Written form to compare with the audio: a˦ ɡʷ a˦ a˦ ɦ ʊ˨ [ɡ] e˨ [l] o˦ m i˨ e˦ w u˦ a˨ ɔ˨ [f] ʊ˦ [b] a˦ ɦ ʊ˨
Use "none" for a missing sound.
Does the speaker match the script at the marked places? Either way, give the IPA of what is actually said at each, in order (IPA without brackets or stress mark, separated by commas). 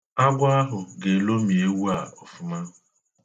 ɡ, l, f, m